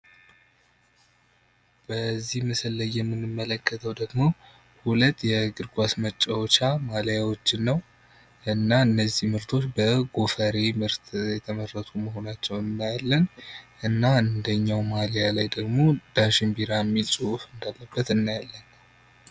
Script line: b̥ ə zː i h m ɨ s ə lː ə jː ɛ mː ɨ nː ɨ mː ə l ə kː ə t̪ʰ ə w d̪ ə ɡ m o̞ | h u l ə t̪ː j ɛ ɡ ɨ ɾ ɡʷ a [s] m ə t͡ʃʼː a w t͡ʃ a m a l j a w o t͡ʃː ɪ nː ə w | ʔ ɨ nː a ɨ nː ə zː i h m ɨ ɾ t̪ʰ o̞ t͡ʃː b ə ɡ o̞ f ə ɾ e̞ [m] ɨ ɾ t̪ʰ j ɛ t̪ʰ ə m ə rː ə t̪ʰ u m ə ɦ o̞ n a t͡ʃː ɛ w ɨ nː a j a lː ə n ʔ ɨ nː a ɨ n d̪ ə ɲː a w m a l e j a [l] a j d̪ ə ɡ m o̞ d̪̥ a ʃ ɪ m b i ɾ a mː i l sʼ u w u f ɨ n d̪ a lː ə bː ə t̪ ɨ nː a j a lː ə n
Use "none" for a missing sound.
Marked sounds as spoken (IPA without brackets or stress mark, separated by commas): s, m, l